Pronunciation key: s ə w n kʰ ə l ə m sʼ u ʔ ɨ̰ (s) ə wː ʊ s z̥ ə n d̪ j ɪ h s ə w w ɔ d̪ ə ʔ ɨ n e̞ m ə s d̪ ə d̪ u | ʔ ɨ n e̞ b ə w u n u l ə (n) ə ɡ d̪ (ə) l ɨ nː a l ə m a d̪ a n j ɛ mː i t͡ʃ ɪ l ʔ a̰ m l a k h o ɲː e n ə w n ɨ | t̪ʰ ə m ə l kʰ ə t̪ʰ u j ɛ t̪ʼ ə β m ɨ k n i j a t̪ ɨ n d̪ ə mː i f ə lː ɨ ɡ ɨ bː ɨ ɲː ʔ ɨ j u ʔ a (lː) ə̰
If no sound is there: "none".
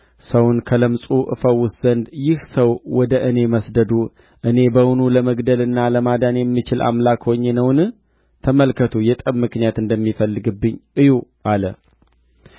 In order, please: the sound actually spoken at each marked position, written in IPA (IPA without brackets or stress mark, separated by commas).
f, m, ə, l